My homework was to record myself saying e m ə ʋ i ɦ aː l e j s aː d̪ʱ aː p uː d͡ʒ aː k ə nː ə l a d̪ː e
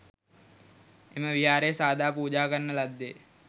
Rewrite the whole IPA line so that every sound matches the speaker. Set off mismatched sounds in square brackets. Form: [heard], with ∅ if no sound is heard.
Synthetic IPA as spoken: e m ə ʋ i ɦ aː [ɾ] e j s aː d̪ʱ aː p uː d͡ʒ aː k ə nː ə l a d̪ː e